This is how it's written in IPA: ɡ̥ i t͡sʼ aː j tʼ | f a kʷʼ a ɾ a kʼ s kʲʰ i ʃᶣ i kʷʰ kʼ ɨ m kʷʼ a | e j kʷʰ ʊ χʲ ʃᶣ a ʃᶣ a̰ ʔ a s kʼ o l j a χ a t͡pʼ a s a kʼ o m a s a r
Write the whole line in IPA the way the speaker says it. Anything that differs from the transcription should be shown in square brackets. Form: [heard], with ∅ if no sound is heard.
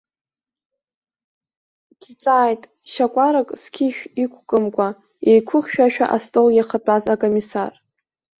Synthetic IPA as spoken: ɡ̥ i t͡sʼ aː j tʼ | [ʃ] a kʷʼ a ɾ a kʼ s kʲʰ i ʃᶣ i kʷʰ kʼ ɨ m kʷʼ a | e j kʷʰ ʊ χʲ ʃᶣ a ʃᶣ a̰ ʔ a s [tʼ] o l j a χ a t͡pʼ a [z] a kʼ o m [i] s a r